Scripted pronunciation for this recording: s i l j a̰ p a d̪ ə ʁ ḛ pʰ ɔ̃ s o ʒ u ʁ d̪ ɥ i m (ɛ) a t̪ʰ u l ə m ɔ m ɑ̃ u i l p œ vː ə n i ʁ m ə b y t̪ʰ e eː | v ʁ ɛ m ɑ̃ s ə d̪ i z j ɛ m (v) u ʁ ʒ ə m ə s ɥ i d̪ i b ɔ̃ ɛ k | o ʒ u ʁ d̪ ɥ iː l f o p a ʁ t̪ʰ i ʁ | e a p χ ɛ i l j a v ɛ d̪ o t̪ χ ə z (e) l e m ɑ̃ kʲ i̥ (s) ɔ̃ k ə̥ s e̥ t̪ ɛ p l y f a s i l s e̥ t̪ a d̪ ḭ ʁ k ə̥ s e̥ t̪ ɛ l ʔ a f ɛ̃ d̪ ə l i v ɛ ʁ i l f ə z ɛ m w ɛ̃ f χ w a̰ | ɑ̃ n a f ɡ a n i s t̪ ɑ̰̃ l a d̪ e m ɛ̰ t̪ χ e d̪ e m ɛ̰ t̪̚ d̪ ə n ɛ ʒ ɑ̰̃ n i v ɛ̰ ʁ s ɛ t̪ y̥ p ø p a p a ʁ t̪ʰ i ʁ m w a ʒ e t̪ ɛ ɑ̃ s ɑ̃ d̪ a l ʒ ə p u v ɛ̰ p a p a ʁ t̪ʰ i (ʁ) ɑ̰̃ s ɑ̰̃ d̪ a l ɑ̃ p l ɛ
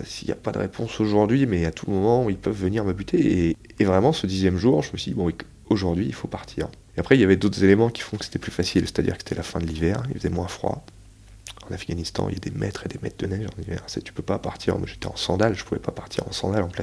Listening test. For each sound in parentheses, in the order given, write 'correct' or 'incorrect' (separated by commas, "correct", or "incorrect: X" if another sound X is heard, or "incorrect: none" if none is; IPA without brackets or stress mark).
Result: correct, incorrect: ʒ, correct, incorrect: f, correct